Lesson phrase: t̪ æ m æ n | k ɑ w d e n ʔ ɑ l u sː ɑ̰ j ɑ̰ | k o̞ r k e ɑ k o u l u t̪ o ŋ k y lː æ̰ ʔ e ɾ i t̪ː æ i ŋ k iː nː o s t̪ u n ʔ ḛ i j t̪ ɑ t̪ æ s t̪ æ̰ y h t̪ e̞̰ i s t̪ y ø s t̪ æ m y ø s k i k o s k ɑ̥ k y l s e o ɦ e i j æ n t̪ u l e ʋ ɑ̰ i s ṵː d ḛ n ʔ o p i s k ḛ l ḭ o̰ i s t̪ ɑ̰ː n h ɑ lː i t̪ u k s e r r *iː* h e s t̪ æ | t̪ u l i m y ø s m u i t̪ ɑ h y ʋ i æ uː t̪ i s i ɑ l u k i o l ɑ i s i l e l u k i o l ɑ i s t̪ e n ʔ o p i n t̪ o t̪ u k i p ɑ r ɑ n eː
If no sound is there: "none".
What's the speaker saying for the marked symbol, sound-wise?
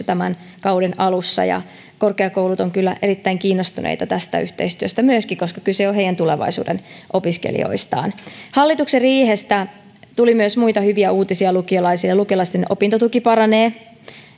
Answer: iː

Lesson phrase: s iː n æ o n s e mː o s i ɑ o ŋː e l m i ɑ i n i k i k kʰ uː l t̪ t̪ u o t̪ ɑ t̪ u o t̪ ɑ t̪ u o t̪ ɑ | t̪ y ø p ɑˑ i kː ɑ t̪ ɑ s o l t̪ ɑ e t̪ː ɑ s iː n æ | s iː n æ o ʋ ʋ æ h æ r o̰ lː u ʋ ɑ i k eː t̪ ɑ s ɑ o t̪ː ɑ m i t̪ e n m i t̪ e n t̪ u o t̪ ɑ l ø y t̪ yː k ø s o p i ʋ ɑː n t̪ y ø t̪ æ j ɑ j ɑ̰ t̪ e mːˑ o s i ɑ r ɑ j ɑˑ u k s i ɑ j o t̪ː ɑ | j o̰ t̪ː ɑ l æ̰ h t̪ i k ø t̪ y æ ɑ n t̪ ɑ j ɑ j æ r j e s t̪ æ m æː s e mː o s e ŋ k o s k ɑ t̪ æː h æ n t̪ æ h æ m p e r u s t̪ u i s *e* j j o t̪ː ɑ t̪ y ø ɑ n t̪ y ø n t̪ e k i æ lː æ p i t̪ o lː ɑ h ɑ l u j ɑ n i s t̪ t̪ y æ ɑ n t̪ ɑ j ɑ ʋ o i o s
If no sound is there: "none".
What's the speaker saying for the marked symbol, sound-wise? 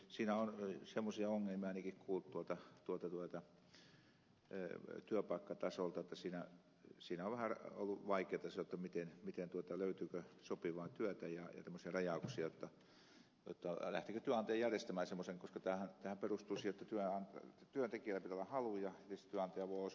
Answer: i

